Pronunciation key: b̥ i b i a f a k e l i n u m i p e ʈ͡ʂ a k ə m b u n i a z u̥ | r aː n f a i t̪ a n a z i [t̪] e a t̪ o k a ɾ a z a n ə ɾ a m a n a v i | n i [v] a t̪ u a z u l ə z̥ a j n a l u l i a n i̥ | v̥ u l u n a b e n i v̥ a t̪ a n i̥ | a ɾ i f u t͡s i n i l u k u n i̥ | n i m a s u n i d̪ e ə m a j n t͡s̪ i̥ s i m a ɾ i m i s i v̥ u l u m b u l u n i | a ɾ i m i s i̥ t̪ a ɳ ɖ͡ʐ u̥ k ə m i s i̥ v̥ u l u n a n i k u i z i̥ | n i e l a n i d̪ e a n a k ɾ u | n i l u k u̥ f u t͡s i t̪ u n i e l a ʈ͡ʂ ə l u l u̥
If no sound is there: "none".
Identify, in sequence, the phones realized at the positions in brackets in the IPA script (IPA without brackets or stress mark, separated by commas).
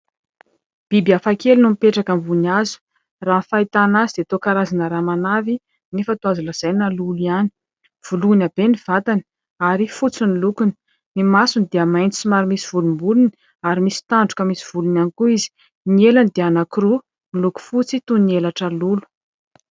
d̪, f